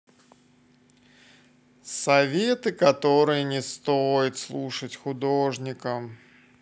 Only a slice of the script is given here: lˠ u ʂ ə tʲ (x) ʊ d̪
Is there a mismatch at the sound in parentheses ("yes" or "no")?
no